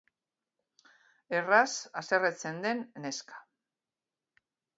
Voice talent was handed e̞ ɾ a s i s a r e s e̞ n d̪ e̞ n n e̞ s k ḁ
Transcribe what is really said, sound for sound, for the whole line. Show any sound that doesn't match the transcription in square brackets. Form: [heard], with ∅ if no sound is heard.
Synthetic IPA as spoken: e̞ [r] a s [a] s [e] r e [t͡s] e̞ n d̪ e̞ n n e̞ s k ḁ